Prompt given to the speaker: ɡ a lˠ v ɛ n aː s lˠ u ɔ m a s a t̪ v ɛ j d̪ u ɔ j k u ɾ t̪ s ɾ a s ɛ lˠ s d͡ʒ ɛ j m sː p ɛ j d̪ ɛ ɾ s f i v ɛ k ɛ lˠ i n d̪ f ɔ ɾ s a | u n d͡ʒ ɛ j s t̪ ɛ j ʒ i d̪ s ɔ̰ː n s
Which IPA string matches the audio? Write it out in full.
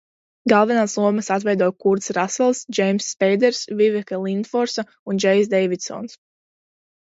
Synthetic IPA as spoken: ɡ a lˠ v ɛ n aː s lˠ u ɔ m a s a t̪ v ɛ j d̪ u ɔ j k u ɾ t̪ s ɾ a s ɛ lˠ s d͡ʒ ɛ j m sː p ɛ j d̪ ɛ ɾ s v i v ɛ k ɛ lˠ i n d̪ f ɔ ɾ s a | u n d͡ʒ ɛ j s d̪ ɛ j v i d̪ s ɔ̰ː n s